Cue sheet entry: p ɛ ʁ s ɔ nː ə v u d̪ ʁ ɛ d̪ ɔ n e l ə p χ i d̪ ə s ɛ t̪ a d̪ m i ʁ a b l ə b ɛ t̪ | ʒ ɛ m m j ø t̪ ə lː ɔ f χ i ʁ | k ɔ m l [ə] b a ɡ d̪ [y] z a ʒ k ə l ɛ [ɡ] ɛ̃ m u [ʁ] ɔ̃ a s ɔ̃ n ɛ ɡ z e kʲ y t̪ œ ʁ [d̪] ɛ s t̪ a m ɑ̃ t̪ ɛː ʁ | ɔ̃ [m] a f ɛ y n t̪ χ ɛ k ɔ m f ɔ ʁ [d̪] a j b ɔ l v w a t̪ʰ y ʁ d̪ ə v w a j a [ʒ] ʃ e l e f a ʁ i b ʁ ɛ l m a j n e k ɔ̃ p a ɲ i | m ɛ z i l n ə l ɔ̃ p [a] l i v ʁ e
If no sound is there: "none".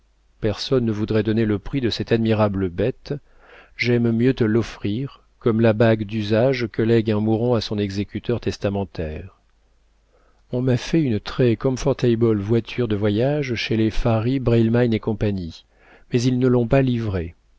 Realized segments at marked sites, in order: a, y, ɡ, ʁ, t̪, m, t̪, ʒ, a

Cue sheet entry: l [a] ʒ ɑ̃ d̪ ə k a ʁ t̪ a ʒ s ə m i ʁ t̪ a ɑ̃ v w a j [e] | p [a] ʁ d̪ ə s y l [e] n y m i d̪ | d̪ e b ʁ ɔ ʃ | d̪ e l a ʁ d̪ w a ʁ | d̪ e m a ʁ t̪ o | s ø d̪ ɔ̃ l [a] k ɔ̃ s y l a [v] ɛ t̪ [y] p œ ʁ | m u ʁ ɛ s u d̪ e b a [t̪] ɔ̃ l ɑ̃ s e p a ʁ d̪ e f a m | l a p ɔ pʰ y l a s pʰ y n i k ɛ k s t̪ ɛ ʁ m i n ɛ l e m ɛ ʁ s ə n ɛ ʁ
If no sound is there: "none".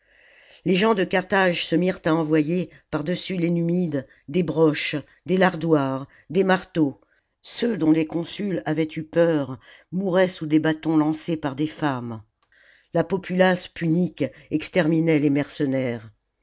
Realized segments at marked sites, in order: e, e, a, e, e, v, y, t̪

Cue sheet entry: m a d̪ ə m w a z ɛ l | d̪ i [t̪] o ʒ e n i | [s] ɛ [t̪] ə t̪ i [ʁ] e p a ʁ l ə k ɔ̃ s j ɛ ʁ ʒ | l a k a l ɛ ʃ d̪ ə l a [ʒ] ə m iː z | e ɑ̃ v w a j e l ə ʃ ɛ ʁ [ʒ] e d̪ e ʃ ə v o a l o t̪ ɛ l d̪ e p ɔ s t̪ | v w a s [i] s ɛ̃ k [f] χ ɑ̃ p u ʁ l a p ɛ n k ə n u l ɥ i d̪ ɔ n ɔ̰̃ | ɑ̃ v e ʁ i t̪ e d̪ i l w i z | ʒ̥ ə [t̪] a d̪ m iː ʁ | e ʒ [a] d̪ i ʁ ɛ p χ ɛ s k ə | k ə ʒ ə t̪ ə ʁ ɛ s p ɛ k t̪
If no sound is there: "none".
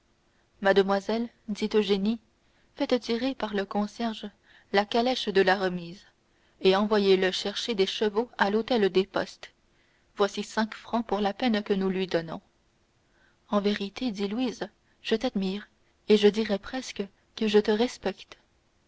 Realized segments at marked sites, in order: t̪, f, t̪, ʁ, ʁ, ʃ, i, f, t̪, ə

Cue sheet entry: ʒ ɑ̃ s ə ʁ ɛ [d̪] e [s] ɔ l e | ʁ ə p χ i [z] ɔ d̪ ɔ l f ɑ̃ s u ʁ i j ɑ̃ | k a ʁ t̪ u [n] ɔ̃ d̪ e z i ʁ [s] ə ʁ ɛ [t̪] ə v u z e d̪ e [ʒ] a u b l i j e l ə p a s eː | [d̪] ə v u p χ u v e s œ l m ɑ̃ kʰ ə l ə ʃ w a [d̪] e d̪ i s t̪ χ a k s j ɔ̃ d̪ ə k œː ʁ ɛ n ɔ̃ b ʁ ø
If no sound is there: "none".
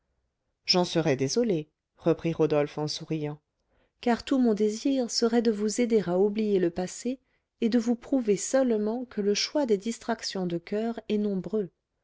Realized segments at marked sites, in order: d̪, z, ʁ, m, s, d̪, ʁ, d̪, d̪

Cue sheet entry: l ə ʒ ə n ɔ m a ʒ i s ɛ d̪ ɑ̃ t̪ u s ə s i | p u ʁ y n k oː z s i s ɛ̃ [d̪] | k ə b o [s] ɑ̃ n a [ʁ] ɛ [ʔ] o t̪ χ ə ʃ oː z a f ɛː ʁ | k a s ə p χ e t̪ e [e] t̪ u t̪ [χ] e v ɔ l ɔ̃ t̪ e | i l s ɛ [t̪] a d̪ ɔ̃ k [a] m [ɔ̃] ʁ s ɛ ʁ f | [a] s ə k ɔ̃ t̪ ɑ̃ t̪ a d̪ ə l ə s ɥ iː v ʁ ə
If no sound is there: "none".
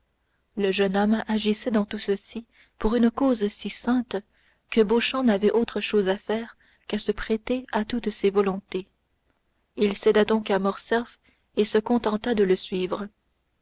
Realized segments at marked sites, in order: t̪, ʃ, v, ʔ, a, s, d̪, a, ɔ, e

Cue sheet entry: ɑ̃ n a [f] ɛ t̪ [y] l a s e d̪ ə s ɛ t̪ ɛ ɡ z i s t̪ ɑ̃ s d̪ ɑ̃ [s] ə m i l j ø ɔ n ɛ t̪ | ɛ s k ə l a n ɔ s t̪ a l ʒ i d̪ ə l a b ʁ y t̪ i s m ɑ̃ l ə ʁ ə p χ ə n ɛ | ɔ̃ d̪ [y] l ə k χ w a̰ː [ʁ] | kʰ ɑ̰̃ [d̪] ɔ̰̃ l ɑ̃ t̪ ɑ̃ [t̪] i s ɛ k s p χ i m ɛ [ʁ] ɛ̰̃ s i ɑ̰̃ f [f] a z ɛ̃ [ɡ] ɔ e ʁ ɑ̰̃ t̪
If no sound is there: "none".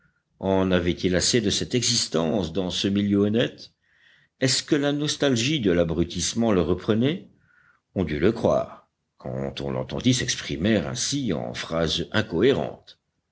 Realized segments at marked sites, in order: v, i, s, y, ʁ, t̪, d̪, ʁ, χ, k

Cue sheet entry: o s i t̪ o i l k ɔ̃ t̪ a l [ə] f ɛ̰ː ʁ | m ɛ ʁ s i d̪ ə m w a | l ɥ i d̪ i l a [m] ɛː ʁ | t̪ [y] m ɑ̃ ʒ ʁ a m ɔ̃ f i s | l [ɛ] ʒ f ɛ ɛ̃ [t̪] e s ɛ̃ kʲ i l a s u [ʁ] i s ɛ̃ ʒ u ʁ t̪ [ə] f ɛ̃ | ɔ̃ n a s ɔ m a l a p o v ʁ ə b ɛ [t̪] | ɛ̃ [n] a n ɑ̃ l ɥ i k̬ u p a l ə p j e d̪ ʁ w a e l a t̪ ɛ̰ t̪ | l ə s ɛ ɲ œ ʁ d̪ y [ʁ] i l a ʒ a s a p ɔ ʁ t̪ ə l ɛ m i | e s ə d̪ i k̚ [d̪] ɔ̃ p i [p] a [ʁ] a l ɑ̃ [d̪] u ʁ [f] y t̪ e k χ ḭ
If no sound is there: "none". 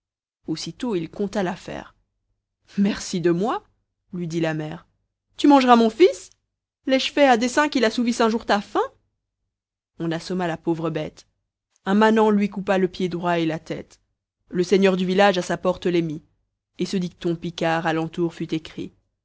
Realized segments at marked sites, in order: a, m, y, ɛ, d̪, v, a, t̪, m, v, t̪, k, ʁ, t̪, f

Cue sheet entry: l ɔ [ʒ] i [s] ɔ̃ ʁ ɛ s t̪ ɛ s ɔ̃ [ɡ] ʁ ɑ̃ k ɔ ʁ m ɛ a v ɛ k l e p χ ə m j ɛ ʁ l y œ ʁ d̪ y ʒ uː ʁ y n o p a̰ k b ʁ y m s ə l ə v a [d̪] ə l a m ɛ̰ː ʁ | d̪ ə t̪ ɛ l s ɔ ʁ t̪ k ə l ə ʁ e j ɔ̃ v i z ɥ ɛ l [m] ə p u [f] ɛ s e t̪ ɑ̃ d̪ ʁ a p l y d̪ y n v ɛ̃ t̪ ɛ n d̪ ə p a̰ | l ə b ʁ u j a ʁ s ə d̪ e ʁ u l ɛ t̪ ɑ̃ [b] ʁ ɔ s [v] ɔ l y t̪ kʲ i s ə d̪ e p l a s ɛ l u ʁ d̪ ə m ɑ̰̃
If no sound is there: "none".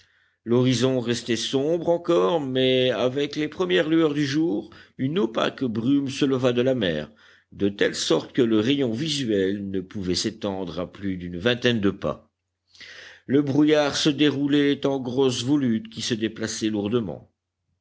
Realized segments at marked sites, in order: ʁ, z, b, d̪, n, v, ɡ, v

